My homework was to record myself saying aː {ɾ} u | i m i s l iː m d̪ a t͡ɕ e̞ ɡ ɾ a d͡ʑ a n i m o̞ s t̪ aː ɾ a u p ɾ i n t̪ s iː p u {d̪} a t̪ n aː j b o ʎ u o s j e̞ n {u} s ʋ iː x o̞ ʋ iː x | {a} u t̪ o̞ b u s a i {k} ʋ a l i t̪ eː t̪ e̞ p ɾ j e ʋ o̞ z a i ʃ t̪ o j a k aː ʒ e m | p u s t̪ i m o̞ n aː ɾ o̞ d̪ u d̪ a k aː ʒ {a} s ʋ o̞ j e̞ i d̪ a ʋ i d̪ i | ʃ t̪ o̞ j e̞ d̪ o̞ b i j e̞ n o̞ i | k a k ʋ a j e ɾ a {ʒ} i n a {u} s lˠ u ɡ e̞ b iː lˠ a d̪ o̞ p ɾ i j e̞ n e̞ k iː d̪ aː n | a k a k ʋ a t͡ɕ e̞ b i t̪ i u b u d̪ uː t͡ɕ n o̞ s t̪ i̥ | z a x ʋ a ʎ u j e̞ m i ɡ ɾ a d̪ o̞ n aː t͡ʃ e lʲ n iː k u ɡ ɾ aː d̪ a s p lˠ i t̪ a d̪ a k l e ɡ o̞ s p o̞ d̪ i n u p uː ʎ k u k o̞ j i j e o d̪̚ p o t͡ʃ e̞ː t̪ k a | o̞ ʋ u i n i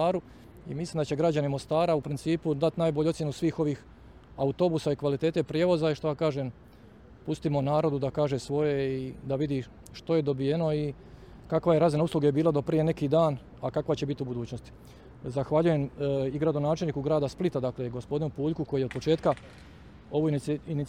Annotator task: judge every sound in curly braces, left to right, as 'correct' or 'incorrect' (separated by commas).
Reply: correct, correct, correct, correct, correct, incorrect, incorrect, correct